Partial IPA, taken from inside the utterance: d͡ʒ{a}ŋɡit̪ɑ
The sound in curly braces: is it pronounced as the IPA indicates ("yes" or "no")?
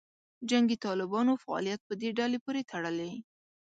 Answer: yes